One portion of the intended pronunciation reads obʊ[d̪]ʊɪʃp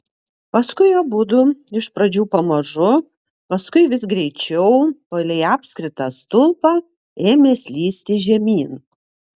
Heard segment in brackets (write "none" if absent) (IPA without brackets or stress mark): d̪